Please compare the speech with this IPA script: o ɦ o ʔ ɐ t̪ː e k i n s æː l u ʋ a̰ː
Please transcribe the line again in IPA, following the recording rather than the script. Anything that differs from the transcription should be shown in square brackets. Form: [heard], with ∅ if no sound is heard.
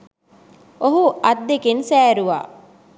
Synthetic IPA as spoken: o ɦ [u] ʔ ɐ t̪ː e k [e] n s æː [ɾ] u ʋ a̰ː